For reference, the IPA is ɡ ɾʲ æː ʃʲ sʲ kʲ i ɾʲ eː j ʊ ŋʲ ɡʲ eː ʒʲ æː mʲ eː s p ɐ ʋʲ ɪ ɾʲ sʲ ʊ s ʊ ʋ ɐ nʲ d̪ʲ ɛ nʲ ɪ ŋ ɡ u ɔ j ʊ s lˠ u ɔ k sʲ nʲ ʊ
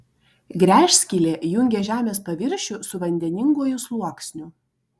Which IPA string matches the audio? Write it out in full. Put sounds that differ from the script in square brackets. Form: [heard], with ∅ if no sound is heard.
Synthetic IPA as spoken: ɡ ɾʲ æː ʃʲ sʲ kʲ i [lʲ] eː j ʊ ŋʲ ɡʲ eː ʒʲ æː mʲ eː s p ɐ ʋʲ ɪ ɾʲ [ʃʲ] ʊ s ʊ ʋ ɐ nʲ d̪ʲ ɛ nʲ ɪ ŋ ɡ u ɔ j ʊ s lˠ u ɔ k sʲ nʲ ʊ